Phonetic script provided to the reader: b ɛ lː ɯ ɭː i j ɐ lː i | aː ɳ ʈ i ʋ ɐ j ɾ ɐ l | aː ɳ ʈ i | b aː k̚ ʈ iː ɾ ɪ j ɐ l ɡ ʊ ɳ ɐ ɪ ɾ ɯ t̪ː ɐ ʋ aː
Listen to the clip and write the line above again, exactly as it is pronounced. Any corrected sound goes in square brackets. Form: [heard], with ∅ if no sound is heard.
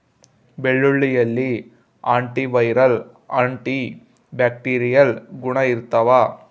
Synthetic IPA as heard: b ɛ [ɭː] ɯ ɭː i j ɐ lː i | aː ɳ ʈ i ʋ ɐ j ɾ ɐ l | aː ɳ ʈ i | b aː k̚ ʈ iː ɾ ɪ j ɐ l ɡ ʊ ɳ ɐ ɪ ɾ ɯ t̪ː ɐ ʋ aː